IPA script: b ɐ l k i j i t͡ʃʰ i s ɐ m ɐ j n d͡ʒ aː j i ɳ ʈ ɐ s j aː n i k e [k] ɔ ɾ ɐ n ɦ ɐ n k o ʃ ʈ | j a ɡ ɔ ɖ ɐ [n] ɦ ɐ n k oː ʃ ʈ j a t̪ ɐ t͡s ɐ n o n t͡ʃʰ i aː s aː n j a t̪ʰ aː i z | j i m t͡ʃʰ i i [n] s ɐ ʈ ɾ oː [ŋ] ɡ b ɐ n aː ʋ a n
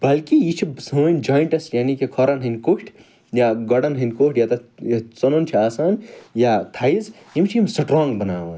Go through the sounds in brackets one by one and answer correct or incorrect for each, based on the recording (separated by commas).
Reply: incorrect, correct, incorrect, correct